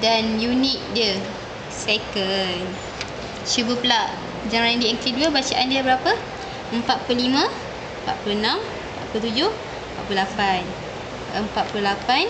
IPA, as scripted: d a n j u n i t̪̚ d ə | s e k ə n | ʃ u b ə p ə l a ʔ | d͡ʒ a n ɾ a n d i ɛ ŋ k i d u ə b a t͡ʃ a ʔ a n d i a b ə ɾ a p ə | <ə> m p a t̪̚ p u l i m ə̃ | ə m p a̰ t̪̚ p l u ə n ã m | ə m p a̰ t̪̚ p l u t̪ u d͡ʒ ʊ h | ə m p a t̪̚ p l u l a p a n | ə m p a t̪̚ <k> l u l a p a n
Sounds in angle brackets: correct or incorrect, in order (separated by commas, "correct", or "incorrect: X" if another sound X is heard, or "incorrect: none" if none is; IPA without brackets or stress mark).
correct, incorrect: p